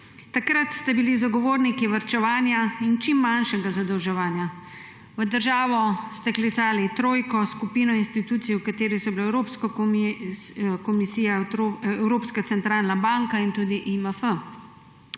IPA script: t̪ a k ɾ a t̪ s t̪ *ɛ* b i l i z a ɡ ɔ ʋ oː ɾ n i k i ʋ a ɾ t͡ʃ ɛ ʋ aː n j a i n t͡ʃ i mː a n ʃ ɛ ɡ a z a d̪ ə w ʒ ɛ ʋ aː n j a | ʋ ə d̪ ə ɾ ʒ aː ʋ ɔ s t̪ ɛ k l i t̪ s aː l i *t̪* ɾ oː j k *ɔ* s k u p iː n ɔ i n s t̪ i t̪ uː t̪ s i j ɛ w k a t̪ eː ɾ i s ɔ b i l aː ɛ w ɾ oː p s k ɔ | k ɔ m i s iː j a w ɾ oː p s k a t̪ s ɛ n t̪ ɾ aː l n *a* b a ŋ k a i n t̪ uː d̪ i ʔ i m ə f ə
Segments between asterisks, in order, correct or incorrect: correct, correct, correct, correct

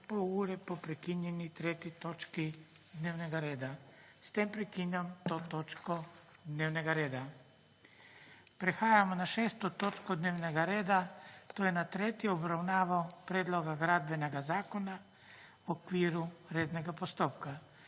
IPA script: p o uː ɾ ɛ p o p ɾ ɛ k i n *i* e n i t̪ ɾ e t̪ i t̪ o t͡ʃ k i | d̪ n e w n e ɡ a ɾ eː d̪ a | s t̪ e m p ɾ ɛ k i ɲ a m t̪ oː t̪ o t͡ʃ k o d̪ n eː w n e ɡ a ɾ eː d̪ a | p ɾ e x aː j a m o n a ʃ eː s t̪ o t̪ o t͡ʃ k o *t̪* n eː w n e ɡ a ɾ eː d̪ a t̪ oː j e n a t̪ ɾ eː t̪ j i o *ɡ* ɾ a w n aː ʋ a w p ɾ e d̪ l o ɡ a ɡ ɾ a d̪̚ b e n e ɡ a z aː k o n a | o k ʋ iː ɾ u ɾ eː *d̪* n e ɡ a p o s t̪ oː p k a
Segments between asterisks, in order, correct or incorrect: incorrect, incorrect, incorrect, correct

